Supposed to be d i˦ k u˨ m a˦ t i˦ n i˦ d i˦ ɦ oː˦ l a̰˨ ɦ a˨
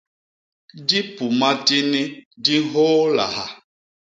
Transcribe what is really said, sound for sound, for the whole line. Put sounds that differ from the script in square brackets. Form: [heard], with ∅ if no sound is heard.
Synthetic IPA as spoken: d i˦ [p] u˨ m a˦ t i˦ n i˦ d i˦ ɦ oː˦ l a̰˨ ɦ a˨